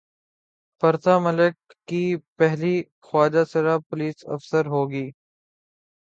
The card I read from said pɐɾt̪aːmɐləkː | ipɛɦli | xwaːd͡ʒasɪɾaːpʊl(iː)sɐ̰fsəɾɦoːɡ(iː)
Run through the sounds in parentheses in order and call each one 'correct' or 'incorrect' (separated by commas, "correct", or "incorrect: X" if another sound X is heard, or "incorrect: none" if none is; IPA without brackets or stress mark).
correct, correct